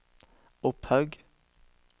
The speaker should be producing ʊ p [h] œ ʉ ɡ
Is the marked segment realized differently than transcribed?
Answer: no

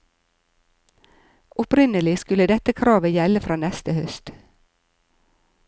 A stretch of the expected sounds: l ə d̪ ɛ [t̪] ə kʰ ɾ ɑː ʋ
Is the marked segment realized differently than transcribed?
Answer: no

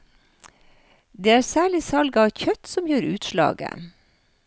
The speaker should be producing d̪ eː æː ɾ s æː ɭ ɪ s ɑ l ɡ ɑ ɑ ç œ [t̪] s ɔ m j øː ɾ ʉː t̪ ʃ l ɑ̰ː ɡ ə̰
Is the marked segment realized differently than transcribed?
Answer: no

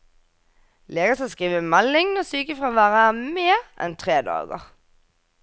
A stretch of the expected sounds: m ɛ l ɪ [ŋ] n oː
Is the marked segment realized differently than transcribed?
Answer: no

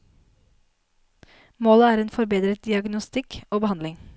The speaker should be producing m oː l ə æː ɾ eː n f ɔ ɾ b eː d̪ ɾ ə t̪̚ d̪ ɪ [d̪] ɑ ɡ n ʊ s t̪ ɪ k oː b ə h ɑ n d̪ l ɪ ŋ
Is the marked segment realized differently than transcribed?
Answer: yes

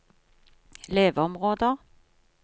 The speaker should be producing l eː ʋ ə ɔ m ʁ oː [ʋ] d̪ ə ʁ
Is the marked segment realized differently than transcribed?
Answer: yes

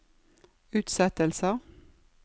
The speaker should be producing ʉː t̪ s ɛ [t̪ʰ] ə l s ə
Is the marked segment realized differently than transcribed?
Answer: yes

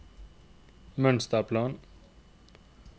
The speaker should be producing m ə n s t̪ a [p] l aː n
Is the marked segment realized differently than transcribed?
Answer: no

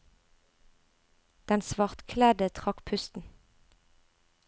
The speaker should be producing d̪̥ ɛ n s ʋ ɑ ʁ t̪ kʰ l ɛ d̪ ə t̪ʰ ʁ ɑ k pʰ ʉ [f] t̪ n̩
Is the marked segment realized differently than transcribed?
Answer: yes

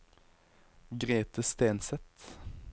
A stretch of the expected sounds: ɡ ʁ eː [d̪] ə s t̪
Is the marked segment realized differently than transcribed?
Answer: yes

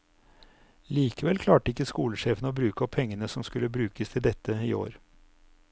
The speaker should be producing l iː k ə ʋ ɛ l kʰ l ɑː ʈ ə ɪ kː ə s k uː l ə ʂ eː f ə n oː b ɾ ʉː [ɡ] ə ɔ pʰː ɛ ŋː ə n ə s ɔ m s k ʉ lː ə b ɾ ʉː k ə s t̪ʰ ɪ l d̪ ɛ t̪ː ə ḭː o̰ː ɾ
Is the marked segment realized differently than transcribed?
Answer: yes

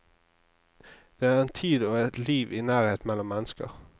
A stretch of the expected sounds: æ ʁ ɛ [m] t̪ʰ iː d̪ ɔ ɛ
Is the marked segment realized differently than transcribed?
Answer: yes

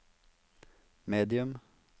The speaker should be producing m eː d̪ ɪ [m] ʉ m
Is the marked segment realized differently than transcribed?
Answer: yes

